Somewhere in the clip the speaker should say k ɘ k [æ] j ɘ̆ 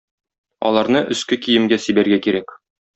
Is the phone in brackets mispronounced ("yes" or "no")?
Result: yes